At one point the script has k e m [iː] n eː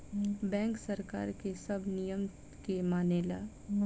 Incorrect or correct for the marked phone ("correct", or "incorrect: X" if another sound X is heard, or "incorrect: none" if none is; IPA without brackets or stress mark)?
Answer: incorrect: aː